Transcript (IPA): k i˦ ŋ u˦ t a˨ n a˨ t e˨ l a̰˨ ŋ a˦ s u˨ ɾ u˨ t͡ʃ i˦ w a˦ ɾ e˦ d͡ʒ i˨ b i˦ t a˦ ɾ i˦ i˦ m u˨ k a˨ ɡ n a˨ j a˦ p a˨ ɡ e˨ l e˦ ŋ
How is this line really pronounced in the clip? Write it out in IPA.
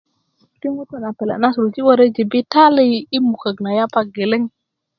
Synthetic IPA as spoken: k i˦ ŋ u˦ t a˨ n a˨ p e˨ l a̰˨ n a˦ s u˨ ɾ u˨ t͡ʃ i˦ w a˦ ɾ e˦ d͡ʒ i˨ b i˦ t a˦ l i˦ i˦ m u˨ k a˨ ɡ n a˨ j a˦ p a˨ ɡ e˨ l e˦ ŋ